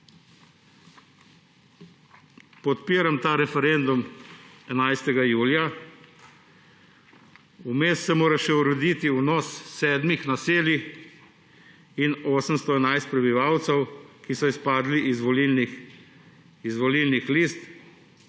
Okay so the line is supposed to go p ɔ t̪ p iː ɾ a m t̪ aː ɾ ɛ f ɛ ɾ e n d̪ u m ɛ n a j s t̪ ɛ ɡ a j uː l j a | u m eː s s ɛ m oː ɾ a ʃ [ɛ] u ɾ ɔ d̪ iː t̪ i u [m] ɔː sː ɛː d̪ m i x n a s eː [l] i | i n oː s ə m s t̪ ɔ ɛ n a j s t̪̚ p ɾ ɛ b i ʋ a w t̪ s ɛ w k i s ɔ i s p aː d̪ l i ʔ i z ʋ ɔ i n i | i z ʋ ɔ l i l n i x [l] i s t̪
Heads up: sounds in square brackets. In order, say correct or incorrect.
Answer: correct, incorrect: n, correct, correct

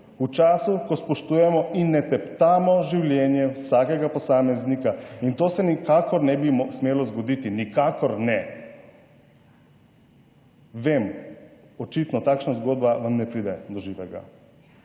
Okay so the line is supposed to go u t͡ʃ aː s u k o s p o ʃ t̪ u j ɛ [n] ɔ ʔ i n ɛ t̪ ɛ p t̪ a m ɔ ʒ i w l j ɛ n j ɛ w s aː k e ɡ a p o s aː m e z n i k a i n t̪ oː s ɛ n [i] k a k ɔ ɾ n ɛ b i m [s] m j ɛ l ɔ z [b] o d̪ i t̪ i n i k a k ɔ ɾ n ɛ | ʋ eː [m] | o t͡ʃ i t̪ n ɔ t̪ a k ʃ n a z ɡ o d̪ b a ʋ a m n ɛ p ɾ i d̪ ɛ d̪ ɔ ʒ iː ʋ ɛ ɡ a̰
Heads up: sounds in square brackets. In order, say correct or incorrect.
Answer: incorrect: m, correct, correct, incorrect: ɡ, correct

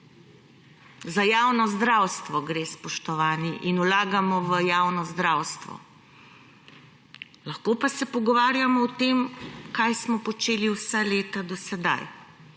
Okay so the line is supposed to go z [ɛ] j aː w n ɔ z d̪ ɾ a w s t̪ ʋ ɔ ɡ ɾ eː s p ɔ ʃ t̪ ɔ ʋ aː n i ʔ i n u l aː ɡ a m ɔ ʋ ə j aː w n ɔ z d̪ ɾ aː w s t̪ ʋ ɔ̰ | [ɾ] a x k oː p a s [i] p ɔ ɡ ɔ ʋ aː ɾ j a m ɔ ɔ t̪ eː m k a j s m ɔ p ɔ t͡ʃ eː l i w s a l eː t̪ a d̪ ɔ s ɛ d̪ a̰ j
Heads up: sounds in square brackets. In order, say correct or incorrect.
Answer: incorrect: a, incorrect: l, incorrect: ɛ

